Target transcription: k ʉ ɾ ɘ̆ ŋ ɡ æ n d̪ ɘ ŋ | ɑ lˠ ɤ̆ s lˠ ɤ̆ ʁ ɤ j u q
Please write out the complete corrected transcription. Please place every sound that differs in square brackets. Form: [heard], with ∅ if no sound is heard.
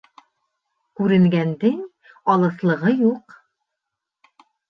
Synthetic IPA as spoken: k ʉ ɾ ɘ̆ ŋ ɡ æ n d̪ ɘ ŋ | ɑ lˠ ɤ̆ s lˠ ɤ̆ ʁ ɤ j u q